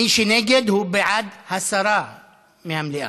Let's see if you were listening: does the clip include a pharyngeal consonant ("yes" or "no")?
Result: yes